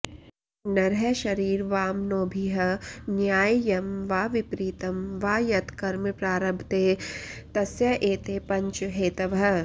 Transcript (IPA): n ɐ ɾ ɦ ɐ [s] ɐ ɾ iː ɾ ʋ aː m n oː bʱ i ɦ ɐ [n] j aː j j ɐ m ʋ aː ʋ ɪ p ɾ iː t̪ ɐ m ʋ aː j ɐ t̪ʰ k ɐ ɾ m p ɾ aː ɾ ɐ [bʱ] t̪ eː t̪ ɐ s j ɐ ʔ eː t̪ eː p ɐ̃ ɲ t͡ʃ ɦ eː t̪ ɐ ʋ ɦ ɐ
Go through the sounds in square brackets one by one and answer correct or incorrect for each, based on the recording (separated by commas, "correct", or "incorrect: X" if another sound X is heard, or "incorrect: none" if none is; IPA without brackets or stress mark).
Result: incorrect: ʃ, correct, correct